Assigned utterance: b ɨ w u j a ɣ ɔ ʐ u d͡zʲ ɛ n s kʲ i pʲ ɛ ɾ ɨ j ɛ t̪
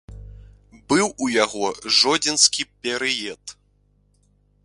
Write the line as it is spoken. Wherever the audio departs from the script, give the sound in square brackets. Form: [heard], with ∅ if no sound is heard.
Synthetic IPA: b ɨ w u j a ɣ ɔ ʐ [ɔ] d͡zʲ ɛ n s kʲ i pʲ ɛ ɾ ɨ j ɛ t̪